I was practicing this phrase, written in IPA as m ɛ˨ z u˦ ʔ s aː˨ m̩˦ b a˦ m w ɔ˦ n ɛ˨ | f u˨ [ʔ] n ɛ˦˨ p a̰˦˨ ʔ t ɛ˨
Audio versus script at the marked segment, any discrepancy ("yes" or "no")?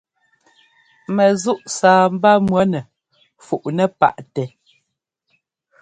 no